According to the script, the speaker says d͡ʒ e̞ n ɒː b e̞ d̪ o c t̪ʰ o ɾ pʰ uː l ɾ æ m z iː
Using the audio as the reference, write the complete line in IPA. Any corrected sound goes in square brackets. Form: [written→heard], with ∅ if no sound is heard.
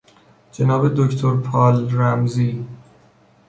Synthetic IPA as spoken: d͡ʒ e̞ n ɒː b e̞ d̪ o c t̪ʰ o ɾ pʰ [uː→ɒː] l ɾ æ m z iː